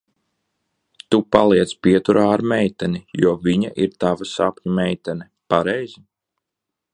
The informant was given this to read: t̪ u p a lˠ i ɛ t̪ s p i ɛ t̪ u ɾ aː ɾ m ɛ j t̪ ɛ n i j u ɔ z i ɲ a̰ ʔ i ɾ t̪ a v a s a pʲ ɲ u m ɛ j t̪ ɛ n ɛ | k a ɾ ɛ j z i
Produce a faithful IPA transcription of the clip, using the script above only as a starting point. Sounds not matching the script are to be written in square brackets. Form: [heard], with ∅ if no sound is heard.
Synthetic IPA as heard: t̪ u p a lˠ i ɛ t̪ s p i ɛ t̪ u ɾ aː ɾ m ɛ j t̪ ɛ n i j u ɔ [v] i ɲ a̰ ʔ i ɾ t̪ a v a s a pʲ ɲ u m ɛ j t̪ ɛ n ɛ | [p] a ɾ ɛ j z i